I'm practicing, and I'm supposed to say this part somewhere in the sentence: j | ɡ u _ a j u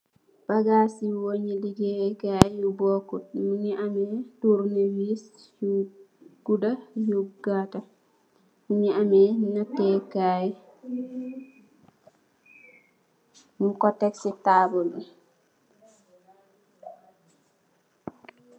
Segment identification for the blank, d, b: d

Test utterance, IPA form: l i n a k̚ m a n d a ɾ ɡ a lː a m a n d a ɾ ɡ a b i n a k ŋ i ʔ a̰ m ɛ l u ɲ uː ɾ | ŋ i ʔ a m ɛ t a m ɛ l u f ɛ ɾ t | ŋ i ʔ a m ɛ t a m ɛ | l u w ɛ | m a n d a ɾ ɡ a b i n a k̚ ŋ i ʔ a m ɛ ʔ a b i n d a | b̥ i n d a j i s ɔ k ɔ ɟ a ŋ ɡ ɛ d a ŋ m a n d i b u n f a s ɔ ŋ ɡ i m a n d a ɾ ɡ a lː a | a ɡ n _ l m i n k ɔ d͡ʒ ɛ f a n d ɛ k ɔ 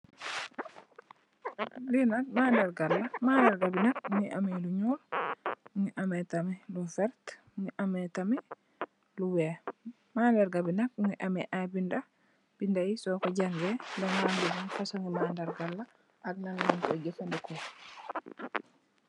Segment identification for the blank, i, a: a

